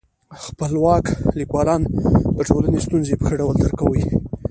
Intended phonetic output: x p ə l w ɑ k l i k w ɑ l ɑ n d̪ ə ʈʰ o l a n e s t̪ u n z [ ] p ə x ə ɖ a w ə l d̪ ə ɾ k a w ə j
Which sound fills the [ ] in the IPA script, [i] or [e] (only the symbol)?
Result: e